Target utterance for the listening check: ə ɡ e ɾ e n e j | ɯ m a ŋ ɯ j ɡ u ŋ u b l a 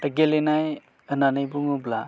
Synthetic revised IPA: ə ɡ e l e n a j | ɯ n a n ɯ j b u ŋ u b l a